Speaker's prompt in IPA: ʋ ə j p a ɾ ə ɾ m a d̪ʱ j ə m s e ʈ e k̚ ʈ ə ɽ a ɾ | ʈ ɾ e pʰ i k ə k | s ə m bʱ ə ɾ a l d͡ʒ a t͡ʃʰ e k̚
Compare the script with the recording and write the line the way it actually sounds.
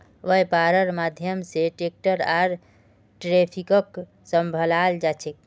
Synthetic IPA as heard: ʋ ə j p a ɾ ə ɾ m a d̪ʱ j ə m s e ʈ e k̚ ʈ ə ɾ a ɾ | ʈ ɾ e pʰ i k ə k | s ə m bʱ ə l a l d͡ʒ a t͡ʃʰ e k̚